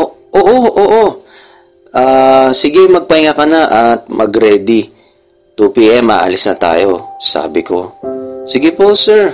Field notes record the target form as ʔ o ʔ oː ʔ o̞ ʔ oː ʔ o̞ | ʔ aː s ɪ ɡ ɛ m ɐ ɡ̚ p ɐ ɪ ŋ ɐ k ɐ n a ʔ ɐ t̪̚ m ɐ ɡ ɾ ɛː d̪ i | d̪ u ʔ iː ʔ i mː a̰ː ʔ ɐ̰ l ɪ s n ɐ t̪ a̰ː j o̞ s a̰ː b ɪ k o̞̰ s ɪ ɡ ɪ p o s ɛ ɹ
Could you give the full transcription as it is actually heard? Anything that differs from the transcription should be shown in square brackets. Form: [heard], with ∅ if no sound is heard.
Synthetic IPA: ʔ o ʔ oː ʔ o̞ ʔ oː ʔ o̞ | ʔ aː s ɪ ɡ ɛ m ɐ ɡ̚ p ɐ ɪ ŋ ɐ k ɐ n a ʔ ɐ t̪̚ m ɐ ɡ ɾ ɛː d̪ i | [t̪] u [p] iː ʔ [ɛ] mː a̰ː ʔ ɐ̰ l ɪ s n ɐ t̪ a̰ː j o̞ s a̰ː b ɪ k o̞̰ s ɪ ɡ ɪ p o s ɛ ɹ